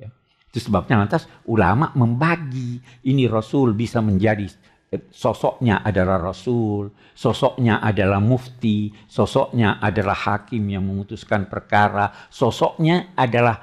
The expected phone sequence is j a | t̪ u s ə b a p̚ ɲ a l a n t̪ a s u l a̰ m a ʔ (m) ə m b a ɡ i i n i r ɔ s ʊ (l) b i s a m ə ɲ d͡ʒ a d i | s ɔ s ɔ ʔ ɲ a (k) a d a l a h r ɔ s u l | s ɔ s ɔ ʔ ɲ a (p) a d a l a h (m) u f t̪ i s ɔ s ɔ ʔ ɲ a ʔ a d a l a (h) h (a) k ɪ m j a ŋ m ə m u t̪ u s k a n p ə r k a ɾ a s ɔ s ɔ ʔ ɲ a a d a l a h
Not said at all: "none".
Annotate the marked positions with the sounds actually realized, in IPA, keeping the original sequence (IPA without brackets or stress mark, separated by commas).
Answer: m, l, ʔ, ʔ, m, h, a